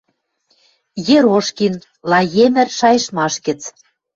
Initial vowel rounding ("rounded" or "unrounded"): unrounded